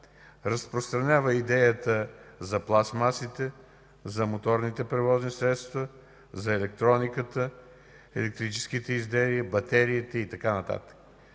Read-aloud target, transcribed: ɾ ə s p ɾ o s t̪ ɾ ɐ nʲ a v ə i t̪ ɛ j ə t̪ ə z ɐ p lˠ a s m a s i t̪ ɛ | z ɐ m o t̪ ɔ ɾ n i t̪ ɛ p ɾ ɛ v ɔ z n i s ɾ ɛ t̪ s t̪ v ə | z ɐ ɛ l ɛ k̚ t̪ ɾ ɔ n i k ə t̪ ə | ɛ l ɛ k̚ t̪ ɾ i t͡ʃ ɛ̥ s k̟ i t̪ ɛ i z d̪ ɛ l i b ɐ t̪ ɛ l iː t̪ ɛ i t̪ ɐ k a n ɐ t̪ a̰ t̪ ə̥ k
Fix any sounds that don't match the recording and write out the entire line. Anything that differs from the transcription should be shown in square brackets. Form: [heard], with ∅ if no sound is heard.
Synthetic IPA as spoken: ɾ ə s p ɾ o s t̪ ɾ ɐ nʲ a v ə i [d̪] ɛ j ə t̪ ə z ɐ p lˠ a s m a s i t̪ ɛ | z ɐ m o t̪ ɔ ɾ n i t̪ ɛ p ɾ ɛ v ɔ z n i s ɾ ɛ t̪ s t̪ v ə | z ɐ ɛ l ɛ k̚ t̪ ɾ ɔ n i k ə t̪ ə | ɛ l ɛ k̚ t̪ ɾ i t͡ʃ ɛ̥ s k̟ i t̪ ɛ i z d̪ ɛ l i b ɐ t̪ ɛ [ɾ] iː t̪ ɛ i t̪ ɐ k a n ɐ t̪ a̰ t̪ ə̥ k